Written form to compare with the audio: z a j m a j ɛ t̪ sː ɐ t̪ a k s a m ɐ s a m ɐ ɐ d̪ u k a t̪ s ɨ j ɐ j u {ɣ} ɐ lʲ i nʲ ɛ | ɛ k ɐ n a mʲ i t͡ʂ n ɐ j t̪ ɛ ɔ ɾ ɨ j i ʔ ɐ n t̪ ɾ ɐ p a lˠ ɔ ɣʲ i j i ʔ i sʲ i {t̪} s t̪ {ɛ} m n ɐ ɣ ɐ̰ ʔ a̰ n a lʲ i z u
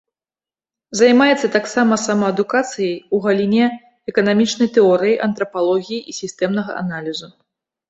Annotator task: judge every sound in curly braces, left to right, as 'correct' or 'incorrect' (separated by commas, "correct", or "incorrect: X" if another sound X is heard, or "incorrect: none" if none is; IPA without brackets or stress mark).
correct, incorrect: none, correct